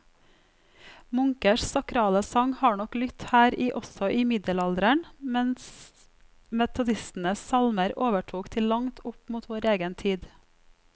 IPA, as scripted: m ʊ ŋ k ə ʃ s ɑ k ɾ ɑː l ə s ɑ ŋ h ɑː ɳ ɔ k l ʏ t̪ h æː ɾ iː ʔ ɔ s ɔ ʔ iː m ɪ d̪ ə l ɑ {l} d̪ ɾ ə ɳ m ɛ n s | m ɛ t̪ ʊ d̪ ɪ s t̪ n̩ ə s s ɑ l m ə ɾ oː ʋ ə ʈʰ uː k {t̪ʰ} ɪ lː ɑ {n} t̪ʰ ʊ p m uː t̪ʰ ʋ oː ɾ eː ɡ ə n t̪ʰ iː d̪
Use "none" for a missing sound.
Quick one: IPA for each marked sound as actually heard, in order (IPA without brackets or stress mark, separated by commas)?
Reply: l, t̪ʰ, ŋ